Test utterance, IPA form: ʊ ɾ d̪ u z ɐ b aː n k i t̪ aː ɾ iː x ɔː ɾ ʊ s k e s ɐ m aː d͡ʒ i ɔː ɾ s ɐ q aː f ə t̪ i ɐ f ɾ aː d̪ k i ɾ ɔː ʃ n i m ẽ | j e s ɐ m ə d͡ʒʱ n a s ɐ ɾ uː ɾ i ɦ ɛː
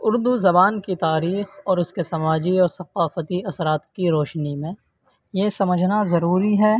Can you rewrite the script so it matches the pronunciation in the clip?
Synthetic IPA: ʊ ɾ d̪ u z ɐ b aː n k i t̪ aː ɾ iː x ɔː ɾ ʊ s k e s ɐ m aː d͡ʒ i ɔː ɾ s ɐ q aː f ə t̪ i ɐ s ɾ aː t̪ k i ɾ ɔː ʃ n i m ẽ | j e s ɐ m ə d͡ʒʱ n a z ɐ ɾ uː ɾ i ɦ ɛː